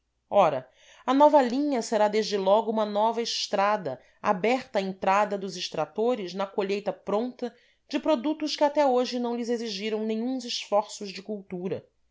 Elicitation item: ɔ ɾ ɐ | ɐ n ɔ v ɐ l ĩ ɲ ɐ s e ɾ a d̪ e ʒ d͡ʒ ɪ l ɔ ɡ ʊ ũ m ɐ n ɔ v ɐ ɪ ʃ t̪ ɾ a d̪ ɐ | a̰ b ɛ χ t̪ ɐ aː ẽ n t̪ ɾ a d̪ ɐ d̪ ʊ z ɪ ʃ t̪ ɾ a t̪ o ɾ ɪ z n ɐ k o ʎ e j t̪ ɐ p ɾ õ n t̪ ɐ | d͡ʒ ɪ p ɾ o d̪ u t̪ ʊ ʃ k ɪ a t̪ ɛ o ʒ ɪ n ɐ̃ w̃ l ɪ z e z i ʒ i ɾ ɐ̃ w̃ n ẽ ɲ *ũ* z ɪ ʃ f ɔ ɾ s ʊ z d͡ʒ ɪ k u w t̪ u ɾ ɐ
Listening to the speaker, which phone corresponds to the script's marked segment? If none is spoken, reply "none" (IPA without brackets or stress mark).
ũ